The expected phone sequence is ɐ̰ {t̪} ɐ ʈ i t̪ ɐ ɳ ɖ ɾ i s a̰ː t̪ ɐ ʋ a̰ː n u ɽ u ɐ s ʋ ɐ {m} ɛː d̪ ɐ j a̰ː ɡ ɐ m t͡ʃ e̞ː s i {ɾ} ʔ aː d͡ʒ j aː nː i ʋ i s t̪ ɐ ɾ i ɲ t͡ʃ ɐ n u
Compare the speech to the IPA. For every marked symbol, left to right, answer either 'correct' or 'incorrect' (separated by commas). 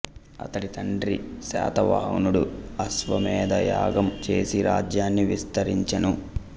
correct, correct, correct